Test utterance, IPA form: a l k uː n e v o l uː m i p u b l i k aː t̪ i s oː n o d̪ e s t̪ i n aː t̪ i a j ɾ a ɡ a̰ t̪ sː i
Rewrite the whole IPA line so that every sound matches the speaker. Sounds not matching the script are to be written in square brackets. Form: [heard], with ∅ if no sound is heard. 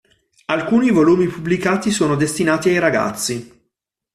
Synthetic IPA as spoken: a l k uː n [i] v o l uː m i p u b l i k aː t̪ i s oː n o d̪ e s t̪ i n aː t̪ i a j ɾ a ɡ a̰ t̪ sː i